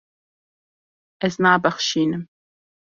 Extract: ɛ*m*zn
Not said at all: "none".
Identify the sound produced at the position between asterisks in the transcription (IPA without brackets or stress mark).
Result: none